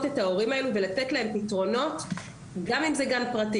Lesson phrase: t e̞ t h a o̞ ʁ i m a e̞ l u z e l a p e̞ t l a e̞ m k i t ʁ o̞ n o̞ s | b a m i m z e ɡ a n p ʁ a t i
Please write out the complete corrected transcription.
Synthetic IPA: t e̞ t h a o̞ ʁ i m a e̞ l u v e l a t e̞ t l a e̞ m p i t ʁ o̞ n o̞ t | ɡ a m i m z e ɡ a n p ʁ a t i